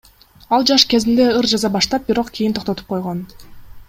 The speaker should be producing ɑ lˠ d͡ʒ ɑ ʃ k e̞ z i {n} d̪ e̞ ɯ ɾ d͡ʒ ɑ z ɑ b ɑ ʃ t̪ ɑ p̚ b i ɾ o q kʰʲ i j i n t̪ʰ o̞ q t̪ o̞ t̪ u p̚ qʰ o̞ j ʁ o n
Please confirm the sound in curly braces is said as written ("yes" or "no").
yes